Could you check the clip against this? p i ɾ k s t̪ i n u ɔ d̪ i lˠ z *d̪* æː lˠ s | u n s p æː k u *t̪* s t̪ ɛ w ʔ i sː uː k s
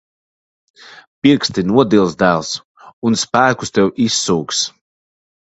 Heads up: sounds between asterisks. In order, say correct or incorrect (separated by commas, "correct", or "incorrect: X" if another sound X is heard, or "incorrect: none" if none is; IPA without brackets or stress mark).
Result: correct, incorrect: none